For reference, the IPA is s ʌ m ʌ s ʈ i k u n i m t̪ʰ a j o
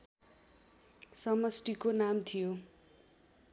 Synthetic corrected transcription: s ʌ m ʌ s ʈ i k o n a m t̪ʰ i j o